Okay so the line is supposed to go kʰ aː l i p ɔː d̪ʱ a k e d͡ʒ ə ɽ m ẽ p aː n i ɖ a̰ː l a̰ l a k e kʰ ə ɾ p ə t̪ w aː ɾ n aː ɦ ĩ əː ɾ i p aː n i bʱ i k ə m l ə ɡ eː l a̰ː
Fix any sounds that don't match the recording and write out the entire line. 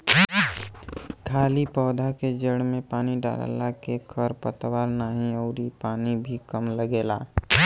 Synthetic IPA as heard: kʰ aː l i p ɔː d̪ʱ a k e d͡ʒ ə ɽ m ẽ p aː n i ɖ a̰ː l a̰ l a k e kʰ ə ɾ p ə t̪ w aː ɾ n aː ɦ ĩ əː ɾ i p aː n i bʱ i k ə m l ə ɡ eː l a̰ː